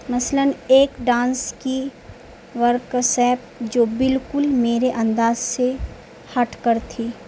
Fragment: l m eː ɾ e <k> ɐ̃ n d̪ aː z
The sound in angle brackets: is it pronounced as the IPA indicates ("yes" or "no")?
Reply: no